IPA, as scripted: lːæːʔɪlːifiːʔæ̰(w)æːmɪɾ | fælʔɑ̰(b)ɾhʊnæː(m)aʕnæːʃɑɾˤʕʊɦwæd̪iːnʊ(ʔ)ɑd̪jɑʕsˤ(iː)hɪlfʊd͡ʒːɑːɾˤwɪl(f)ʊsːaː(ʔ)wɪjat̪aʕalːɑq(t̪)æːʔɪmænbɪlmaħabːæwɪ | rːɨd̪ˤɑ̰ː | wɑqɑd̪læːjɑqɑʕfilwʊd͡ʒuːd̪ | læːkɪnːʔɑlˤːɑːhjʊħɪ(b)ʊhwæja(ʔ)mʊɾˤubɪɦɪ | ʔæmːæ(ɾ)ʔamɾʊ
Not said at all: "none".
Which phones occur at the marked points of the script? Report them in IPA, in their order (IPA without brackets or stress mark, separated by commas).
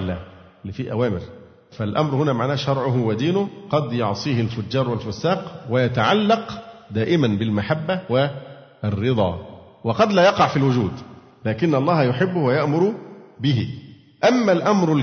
w, m, m, q, iː, f, q, d̪, bː, ʔ, l